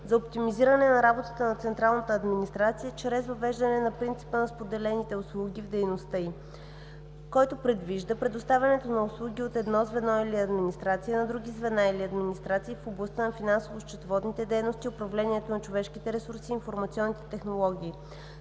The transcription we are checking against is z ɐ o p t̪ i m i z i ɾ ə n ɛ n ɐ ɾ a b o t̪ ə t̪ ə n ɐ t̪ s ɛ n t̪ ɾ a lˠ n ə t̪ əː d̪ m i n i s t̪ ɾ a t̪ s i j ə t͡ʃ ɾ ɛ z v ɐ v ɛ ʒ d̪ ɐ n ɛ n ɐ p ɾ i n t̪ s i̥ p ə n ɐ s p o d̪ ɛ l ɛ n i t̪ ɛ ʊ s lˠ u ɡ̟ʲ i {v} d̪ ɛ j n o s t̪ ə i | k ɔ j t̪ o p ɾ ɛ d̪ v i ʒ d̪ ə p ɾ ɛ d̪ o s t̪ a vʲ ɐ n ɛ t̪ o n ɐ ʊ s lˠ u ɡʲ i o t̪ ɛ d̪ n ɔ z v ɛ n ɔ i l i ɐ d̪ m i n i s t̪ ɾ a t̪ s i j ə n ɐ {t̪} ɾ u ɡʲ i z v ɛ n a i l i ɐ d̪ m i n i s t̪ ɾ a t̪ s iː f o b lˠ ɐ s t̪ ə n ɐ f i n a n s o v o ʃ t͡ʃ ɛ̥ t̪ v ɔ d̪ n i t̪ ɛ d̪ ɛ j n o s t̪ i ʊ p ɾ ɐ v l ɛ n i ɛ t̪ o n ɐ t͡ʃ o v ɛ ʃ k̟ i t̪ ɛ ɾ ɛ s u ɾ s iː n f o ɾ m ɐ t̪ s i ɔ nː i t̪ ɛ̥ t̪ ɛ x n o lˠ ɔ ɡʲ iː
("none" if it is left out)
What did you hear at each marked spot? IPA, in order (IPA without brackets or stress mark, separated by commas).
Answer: v, d̪